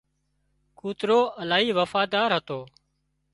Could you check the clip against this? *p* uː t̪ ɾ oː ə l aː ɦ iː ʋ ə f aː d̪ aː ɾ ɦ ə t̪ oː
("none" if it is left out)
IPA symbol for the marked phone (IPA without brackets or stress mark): k